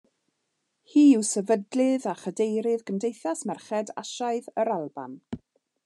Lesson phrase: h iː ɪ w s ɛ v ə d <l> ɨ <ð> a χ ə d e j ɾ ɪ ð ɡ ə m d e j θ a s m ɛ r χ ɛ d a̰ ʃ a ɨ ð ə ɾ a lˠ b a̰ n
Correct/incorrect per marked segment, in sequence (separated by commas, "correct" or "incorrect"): correct, correct